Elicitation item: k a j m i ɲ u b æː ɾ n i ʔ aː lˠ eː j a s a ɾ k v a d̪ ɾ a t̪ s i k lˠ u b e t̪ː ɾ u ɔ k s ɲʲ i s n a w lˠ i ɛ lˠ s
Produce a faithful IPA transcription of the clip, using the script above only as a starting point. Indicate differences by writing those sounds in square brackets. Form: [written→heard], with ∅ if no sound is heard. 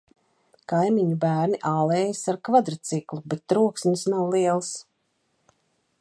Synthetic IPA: k a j m i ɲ u b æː ɾ n i ʔ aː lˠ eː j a s a ɾ k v a d̪ ɾ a t̪ s i k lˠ u b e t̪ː ɾ u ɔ k s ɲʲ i s n a w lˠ i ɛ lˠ s